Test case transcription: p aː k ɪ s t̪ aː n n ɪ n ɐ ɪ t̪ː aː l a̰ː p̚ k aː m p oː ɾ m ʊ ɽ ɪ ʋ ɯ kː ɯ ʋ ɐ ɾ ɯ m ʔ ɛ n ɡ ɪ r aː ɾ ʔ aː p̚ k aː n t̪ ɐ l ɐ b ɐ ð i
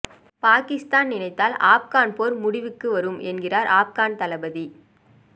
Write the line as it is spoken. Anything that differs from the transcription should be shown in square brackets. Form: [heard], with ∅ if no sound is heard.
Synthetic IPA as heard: p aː k ɪ s t̪ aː n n ɪ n ɐ ɪ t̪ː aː l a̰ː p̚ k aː [n] p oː ɾ m ʊ ɽ ɪ ʋ ɯ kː ɯ ʋ ɐ ɾ ɯ m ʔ ɛ n ɡ ɪ r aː ɾ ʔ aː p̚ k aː n t̪ ɐ l ɐ b ɐ ð i